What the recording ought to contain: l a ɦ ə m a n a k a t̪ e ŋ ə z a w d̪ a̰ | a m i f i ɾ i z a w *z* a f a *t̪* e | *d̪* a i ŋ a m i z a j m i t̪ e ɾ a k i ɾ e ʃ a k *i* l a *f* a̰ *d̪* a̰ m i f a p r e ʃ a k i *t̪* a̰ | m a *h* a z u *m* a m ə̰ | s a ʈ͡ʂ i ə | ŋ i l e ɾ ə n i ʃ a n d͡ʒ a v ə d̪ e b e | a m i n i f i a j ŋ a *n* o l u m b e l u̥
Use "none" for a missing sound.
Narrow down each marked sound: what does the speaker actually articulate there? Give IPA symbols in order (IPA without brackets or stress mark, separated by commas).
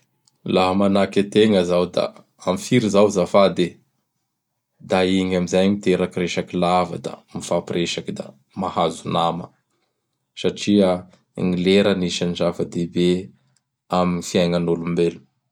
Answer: z, d̪, d̪, i, v, d̪, d̪, h, n, n